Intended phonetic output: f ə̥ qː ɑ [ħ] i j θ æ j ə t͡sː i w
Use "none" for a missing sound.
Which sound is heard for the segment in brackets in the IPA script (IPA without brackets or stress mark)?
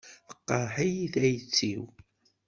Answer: ħ